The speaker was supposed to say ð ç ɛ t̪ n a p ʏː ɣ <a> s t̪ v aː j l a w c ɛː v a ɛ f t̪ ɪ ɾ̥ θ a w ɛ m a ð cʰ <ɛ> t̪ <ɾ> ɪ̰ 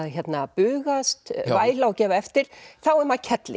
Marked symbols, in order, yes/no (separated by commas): yes, yes, no